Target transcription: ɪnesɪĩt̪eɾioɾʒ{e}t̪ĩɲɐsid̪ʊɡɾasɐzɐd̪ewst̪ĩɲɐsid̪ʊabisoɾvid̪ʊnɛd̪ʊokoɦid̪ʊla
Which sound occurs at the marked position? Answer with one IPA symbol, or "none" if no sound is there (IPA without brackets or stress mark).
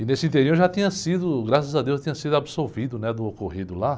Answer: a